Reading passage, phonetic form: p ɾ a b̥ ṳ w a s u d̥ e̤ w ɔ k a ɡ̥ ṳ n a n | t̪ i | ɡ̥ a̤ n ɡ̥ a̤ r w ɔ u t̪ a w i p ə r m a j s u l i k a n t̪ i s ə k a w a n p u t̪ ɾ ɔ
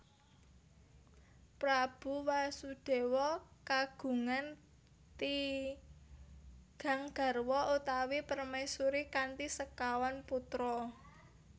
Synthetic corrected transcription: p ɾ a b̥ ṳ w a s u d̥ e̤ w ɔ k a ɡ̥ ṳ ŋ a n | t̪ i | ɡ̥ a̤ ŋ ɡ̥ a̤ r w ɔ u t̪ a w i p ə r m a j s u ɾ i k a n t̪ i s ə k a w a n p u t̪ ɾ ɔ

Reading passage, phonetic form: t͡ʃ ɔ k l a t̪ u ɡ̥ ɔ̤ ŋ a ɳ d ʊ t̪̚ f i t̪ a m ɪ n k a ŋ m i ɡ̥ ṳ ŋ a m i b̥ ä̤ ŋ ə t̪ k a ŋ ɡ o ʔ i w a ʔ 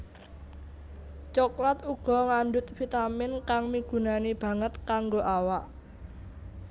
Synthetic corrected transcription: t͡ʃ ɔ k l a t̪ u ɡ̥ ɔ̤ ŋ a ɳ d ʊ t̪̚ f i t̪ a m ɪ n k a ŋ m i ɡ̥ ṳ n a n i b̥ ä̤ ŋ ə t̪ k a ŋ ɡ o ʔ a w a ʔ

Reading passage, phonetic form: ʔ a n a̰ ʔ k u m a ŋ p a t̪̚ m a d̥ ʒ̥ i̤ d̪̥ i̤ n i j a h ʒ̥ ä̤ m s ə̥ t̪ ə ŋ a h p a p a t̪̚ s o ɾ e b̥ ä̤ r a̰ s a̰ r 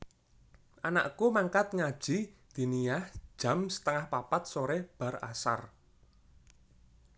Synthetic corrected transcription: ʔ a n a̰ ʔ k u m a ŋ k a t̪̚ ŋ a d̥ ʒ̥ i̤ d̪̥ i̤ n i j a h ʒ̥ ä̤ m s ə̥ t̪ ə ŋ a h p a p a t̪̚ s o ɾ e b̥ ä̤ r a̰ s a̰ r

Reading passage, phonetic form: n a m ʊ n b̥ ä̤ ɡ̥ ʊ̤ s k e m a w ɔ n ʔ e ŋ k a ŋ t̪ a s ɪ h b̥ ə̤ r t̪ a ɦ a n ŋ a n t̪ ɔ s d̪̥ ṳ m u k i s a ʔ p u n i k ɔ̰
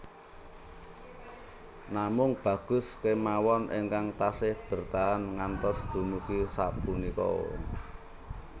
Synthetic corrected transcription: n a m ʊ ŋ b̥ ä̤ ɡ̥ ʊ̤ s k e m a w ɔ n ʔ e ŋ k a ŋ t̪ a s ɪ h b̥ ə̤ r t̪ a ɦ a n ŋ a n t̪ ɔ s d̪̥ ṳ m u k i s a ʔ p u n i k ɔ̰

